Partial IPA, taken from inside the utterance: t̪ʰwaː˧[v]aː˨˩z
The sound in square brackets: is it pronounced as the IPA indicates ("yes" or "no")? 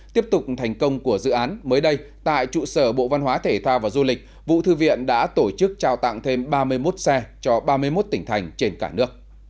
yes